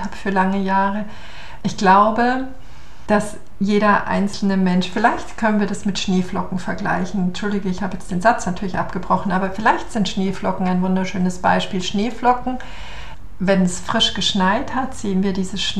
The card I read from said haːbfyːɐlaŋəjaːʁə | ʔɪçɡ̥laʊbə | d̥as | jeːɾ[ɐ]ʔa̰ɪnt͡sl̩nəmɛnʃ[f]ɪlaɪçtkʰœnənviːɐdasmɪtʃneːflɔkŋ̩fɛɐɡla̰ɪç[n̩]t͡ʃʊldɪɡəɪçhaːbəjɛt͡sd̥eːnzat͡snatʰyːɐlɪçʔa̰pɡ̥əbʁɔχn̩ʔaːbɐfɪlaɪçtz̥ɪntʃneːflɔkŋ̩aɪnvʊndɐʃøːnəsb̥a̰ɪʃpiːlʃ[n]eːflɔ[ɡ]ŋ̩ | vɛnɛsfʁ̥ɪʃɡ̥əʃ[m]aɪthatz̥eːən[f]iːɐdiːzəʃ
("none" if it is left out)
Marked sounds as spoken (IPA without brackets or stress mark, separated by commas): ɐ, f, n̩, n, k, n, v